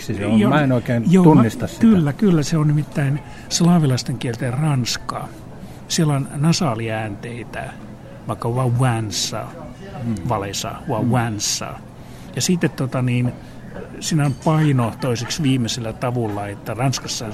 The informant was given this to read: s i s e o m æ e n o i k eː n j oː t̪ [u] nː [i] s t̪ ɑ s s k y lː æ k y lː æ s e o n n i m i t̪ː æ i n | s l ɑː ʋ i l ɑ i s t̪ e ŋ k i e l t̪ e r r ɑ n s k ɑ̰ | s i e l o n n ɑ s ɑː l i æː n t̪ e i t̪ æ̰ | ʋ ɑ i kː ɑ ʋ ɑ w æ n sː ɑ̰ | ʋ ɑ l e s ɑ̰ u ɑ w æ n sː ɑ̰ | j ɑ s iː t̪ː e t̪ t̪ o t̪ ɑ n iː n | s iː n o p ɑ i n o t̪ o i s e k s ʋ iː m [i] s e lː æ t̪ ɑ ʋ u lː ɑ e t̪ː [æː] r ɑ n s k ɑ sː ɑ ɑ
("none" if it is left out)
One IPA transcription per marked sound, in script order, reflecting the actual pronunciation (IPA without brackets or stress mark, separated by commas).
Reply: u, i, e, æ